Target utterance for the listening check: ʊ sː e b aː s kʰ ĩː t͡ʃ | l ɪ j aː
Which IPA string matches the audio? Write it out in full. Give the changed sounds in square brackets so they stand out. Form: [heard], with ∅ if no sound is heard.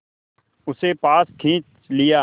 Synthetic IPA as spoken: ʊ [s] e [p] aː s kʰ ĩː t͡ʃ | l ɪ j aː